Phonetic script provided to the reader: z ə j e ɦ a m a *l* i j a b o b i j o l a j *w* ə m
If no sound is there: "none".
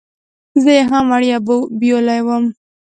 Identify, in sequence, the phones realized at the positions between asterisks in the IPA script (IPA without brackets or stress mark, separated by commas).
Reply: ɽ, w